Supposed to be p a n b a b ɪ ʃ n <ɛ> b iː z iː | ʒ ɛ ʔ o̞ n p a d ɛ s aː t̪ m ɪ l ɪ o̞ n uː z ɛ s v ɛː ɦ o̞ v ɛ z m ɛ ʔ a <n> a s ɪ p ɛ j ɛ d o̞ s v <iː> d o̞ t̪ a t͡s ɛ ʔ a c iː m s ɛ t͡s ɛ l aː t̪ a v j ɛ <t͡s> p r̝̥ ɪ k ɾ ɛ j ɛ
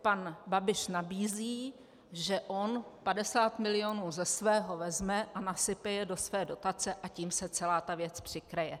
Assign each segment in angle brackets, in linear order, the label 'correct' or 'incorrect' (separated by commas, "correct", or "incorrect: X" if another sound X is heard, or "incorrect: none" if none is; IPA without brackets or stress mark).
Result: incorrect: a, correct, incorrect: ɛː, correct